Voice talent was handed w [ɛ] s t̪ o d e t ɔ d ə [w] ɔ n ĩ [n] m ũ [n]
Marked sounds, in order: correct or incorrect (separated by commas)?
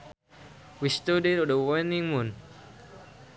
incorrect, correct, incorrect, correct